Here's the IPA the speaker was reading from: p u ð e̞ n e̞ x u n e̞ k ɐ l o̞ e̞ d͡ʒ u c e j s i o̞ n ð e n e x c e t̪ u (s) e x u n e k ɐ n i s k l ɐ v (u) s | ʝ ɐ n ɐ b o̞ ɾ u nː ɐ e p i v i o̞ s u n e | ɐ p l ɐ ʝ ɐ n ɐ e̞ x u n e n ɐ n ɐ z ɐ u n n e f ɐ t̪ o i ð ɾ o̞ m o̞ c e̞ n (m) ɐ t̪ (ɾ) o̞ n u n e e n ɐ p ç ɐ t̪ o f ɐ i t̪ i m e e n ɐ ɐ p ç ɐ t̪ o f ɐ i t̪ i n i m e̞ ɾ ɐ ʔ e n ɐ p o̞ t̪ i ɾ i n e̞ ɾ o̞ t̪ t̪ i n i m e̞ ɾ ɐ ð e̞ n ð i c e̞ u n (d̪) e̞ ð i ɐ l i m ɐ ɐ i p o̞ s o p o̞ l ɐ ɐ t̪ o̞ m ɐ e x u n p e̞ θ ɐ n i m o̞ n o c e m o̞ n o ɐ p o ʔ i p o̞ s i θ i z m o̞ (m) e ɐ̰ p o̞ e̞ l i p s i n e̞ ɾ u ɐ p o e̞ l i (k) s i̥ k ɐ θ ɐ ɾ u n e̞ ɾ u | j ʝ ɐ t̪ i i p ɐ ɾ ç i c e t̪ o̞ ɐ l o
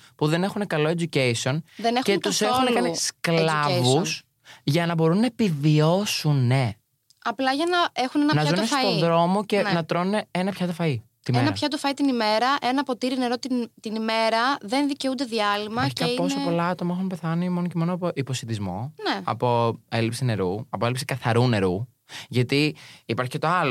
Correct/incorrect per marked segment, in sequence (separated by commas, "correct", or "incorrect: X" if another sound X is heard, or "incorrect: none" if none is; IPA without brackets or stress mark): correct, correct, incorrect: n, correct, correct, incorrect: n, incorrect: p